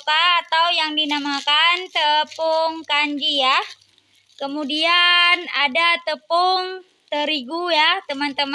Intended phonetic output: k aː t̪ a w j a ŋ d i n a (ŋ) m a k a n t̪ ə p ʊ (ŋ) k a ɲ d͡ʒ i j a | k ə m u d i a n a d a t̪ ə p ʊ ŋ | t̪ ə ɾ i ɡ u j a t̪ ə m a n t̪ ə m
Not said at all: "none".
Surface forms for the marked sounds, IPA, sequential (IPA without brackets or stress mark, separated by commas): none, ŋ